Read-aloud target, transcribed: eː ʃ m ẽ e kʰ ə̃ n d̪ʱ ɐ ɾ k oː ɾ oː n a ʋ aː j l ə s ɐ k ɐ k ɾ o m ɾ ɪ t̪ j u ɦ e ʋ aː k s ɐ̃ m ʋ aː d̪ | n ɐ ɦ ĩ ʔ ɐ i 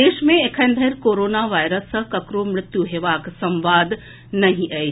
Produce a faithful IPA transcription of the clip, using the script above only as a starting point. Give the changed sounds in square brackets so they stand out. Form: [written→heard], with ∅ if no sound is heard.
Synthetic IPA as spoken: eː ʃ m ẽ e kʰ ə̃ n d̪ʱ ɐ ɾ k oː ɾ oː n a ʋ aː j [l→ɾ] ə s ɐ k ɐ k ɾ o m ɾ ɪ t̪ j u ɦ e ʋ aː k s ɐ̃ m ʋ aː d̪ | n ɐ ɦ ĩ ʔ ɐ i